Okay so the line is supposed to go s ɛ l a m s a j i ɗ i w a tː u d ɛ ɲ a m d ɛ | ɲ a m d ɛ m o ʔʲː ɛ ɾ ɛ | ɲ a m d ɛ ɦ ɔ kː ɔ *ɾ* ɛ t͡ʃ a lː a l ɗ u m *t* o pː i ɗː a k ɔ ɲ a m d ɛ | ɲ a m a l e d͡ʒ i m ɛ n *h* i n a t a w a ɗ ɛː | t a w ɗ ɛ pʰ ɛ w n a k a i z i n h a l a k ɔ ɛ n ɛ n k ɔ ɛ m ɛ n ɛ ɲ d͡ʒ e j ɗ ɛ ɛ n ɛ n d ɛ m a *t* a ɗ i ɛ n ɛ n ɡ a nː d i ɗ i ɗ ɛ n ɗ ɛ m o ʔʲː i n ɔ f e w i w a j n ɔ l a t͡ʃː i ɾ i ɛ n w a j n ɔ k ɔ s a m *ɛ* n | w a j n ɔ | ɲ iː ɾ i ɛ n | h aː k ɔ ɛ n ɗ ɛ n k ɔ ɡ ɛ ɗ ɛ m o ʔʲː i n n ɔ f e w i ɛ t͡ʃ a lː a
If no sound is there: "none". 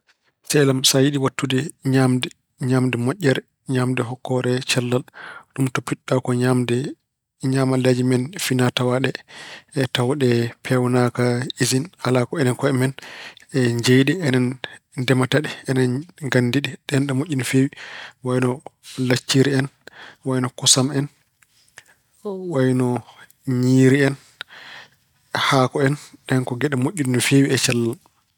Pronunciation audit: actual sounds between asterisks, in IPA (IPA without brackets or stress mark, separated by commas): ɾ, t, f, t, ɛ